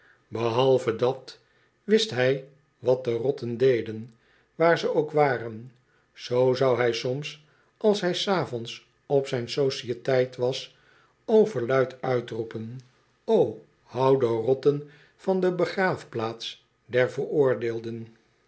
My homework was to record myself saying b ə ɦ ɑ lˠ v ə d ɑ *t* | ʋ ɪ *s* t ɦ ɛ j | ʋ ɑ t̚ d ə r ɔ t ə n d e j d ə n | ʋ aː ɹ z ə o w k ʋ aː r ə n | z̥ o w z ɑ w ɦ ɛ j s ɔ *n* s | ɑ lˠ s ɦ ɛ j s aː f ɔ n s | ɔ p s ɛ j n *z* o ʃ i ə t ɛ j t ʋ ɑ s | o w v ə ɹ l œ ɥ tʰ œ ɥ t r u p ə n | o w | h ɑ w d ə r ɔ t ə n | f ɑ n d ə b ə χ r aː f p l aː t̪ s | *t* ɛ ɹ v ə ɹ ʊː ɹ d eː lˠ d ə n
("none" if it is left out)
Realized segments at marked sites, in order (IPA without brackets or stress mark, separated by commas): t, s, m, s, d